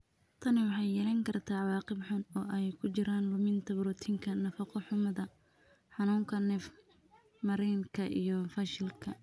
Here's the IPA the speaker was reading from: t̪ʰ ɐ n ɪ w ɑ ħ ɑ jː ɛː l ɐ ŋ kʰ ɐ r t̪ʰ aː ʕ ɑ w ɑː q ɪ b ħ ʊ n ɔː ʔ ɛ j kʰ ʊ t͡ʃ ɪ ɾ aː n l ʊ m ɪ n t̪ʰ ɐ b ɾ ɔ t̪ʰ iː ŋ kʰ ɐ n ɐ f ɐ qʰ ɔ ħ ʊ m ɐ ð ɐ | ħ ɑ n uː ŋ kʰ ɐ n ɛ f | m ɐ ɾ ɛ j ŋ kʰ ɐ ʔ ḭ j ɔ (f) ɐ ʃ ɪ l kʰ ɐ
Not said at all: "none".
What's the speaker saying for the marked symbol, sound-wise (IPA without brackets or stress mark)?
f